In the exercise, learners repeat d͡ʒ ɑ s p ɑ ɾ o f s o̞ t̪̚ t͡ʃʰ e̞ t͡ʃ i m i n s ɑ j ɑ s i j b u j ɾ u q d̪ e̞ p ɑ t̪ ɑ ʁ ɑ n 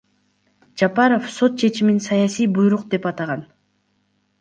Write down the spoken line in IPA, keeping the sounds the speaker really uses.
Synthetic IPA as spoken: d͡ʒ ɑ p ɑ ɾ o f s o̞ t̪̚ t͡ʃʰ e̞ t͡ʃ i m i n s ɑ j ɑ s i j b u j ɾ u q d̪ e̞ p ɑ t̪ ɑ ʁ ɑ n